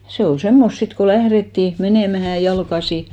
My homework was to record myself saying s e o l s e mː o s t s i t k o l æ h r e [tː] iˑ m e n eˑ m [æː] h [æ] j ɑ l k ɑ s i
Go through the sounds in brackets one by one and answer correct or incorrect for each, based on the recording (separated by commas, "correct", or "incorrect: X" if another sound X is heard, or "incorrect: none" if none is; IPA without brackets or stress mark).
correct, incorrect: æ, correct